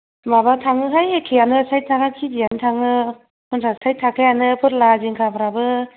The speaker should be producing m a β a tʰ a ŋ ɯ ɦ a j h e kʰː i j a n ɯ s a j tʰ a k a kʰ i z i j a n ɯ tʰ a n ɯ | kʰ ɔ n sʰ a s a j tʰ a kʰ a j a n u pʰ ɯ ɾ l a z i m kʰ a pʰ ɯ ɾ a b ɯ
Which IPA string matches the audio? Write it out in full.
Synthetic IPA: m a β a tʰ a ŋ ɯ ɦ a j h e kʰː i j a n ɯ s a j tʰ a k a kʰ i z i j a n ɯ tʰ a ŋ ɯ | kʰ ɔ n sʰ a s a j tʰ a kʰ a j a n ɯ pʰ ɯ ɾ l a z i ŋ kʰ a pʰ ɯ ɾ a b ɯ